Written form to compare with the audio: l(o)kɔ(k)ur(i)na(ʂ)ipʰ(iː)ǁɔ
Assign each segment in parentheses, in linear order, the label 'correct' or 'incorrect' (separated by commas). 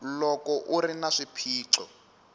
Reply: incorrect, incorrect, correct, correct, correct